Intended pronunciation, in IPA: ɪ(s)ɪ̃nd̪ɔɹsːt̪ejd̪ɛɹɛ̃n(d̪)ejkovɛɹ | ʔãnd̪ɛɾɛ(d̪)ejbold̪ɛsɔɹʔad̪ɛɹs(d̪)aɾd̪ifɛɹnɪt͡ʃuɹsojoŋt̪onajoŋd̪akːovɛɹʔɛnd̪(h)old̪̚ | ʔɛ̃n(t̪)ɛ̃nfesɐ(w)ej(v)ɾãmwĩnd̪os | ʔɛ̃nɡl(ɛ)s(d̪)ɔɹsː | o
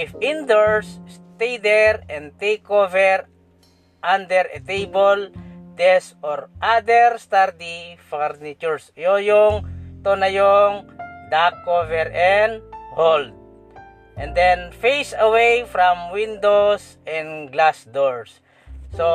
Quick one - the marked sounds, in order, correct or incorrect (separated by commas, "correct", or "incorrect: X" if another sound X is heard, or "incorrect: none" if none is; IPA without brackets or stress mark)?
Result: incorrect: f, incorrect: t̪, incorrect: t̪, incorrect: t̪, correct, incorrect: d̪, correct, incorrect: f, incorrect: a, correct